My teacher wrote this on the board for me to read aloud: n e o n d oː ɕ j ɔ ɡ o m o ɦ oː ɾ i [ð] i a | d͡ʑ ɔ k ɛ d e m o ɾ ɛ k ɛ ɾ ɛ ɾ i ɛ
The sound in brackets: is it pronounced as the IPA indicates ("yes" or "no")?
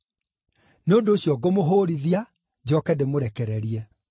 yes